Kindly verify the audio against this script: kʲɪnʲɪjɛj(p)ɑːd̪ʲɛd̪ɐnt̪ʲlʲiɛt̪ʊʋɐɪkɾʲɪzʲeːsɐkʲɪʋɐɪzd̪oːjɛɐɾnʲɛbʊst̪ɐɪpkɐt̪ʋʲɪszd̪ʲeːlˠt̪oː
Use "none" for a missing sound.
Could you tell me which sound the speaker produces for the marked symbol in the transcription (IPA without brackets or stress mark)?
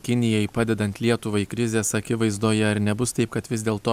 p